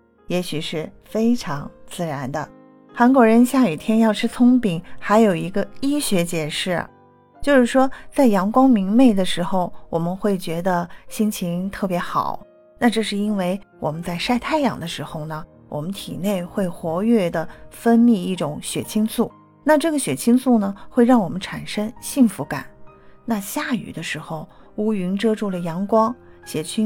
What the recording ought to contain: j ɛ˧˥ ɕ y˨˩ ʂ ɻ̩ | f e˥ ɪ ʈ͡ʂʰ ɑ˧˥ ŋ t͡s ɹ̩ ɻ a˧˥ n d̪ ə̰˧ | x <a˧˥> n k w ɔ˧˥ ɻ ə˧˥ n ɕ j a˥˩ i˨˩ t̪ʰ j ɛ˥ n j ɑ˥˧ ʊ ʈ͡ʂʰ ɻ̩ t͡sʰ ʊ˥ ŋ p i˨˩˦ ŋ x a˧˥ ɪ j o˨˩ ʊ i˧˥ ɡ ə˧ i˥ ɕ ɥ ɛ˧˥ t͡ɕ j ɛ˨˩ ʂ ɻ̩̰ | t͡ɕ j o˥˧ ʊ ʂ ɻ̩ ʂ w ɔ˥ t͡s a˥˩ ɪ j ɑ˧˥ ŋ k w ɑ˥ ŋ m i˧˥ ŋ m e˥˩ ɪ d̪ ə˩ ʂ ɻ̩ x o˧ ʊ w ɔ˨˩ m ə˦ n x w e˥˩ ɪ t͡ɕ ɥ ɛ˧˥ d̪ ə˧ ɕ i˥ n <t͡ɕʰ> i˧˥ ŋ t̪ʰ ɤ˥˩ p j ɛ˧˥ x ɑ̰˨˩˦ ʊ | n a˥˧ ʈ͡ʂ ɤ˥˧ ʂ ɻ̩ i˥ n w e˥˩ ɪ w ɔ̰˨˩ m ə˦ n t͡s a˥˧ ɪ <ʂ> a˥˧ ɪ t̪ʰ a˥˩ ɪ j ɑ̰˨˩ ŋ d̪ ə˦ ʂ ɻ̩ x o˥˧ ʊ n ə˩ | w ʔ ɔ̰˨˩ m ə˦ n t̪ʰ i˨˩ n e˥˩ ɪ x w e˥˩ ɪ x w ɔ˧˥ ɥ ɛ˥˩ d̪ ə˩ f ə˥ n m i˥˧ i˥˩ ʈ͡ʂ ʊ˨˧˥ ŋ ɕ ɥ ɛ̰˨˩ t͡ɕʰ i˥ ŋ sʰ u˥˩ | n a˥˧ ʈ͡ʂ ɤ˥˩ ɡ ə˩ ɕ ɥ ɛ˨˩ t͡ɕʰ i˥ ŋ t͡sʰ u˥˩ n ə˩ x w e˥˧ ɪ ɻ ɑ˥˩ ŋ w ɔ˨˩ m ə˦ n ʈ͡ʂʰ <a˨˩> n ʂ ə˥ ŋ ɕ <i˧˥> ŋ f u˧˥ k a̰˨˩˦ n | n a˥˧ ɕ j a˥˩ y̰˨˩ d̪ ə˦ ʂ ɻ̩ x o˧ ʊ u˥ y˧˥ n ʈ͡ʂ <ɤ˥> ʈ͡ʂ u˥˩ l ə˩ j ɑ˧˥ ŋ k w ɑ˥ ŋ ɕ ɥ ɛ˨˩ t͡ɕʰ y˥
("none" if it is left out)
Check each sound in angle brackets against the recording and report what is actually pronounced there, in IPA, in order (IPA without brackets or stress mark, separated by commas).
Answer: a˧˥, t͡ɕʰ, ʂ, a˨˩, i˥˩, ɤ˥